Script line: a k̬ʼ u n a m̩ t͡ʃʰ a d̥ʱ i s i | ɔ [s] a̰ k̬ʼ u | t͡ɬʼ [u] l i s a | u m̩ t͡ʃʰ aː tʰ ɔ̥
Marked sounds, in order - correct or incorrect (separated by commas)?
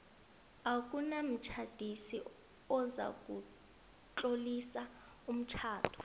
incorrect, incorrect